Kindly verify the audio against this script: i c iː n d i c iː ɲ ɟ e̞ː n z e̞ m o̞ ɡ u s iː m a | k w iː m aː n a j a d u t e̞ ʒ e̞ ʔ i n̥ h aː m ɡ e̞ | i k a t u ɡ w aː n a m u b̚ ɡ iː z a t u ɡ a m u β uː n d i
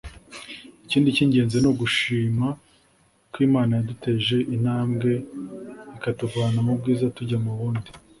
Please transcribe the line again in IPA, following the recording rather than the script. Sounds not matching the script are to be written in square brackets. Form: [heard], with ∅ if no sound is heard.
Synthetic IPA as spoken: i c iː n d i c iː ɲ ɟ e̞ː n z e̞ [n] o̞ ɡ u [ʃ] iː m a | k w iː m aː n a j a d u t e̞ ʒ e̞ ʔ i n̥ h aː m ɡ e̞ | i k a t u ɡ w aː n a m u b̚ ɡ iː z a t u [ɟ] a m u β uː n d i